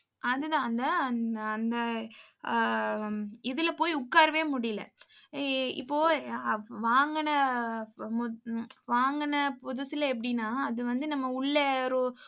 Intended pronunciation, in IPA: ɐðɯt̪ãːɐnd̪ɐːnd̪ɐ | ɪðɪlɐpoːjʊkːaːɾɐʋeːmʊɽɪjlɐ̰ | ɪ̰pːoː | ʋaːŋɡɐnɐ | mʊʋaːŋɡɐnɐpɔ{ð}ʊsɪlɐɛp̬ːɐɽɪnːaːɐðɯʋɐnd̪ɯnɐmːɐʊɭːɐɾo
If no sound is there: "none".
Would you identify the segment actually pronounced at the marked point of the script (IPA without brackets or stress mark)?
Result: ð